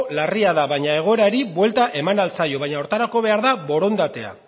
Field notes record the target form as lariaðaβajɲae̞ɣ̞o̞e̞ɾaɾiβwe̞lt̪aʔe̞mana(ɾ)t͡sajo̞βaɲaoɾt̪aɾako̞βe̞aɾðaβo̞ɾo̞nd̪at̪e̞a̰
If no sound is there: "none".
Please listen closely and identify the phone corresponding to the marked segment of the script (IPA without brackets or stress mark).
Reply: l